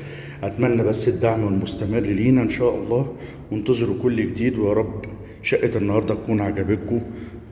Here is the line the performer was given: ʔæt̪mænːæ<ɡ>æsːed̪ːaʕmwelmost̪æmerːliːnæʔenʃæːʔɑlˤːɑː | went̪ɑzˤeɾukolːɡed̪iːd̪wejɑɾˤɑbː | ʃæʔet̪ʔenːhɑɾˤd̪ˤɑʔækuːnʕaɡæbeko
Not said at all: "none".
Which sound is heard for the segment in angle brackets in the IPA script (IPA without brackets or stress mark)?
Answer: b